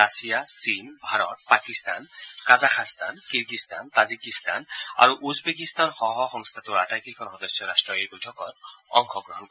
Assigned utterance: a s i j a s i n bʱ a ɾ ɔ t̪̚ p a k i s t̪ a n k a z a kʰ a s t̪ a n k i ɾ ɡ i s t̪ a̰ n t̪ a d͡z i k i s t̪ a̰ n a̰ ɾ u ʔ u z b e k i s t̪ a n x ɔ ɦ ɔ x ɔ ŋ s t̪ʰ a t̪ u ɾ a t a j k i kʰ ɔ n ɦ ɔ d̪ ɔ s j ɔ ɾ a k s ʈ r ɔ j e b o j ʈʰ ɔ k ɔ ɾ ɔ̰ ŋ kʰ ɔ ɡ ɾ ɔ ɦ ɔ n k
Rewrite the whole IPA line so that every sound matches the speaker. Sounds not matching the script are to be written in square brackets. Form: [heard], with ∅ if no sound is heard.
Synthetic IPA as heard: a s i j a s i n bʱ a ɾ ɔ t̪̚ p a k i s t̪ a n k a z a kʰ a s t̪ a n k i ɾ ɡ i s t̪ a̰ n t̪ a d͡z i k i s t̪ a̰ n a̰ ɾ u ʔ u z b e k i s t̪ a n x ɔ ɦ ɔ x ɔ ŋ s t̪ʰ a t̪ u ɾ a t a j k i kʰ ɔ n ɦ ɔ d̪ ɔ s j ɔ ɾ a [∅] s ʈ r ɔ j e b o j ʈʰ ɔ k ɔ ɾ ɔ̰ ŋ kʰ ɔ ɡ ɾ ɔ ɦ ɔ n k